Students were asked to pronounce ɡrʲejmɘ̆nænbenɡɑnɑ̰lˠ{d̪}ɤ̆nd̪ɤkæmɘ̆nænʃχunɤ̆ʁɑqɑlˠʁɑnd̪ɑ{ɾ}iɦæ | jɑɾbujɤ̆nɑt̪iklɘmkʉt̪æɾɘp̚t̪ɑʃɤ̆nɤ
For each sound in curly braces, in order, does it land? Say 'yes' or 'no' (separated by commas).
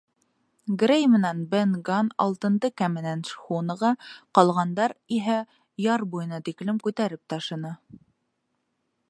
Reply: no, yes